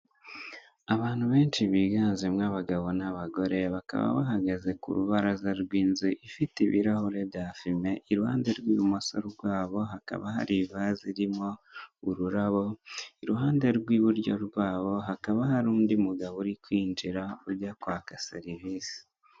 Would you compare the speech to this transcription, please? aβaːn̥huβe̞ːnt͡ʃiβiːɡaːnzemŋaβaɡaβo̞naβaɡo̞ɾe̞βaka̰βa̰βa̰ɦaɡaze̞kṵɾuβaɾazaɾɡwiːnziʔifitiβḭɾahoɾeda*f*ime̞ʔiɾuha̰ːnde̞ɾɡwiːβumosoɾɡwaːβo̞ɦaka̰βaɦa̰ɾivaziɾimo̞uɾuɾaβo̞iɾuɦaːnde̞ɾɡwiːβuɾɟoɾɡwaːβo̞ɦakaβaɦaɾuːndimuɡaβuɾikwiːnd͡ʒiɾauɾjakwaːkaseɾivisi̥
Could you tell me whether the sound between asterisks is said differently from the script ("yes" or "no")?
no